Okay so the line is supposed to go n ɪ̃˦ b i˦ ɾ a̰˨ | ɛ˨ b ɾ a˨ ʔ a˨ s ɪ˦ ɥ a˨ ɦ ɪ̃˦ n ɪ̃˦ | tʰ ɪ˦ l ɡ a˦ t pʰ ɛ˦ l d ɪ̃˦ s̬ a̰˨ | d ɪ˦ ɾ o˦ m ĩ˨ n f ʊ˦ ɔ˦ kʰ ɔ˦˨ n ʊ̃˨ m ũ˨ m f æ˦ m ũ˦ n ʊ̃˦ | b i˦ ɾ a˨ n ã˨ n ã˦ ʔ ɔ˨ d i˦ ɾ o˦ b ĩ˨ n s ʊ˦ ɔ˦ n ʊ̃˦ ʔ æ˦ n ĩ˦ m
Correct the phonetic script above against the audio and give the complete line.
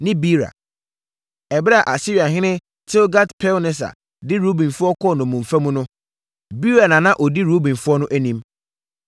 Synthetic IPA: n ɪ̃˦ b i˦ ɾ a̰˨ | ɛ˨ b ɾ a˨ ʔ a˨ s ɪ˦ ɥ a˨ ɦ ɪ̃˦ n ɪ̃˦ | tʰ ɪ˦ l ɡ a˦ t pʰ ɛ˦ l n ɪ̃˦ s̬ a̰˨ | d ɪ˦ ɾ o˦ b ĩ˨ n f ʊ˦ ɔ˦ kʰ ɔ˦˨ n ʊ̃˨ m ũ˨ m f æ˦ m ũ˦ n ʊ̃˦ | b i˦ ɾ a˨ n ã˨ n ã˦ ʔ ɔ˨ d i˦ ɾ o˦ b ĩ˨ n f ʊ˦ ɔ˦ n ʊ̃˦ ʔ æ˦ n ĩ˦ m